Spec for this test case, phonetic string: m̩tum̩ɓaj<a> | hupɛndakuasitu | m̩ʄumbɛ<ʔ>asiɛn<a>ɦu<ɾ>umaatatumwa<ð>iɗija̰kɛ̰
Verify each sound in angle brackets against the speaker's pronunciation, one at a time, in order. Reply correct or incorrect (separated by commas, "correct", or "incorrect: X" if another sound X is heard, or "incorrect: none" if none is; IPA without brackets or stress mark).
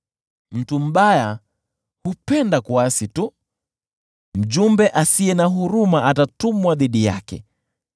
correct, correct, correct, correct, correct